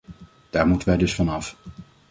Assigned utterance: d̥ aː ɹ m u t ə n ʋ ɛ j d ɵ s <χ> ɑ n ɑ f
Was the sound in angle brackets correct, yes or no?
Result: no